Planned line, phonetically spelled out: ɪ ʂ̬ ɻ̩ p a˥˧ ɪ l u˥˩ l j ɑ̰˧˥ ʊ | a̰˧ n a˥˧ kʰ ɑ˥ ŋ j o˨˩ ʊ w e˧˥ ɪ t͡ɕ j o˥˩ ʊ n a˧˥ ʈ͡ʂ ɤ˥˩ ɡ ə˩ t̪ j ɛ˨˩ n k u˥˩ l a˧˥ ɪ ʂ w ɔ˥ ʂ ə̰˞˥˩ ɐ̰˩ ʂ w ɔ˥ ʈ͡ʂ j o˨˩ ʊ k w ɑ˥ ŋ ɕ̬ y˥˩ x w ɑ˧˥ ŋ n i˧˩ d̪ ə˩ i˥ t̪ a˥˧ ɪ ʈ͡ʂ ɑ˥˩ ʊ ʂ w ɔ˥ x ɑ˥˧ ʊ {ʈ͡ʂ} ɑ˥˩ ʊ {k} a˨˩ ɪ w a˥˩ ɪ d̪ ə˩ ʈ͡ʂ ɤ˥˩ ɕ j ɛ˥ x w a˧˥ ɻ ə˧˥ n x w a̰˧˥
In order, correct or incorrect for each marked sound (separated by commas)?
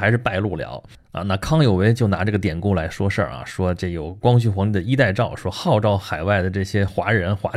correct, incorrect